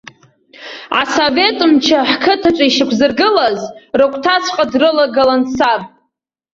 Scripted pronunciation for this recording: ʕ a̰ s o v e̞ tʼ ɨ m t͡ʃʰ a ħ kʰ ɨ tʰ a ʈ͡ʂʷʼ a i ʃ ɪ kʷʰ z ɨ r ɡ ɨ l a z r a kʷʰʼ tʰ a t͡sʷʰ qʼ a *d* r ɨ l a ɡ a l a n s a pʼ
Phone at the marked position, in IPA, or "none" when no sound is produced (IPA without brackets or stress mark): d